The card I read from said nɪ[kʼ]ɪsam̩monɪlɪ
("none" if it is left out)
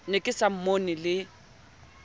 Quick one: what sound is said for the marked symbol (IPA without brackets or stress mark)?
kʼ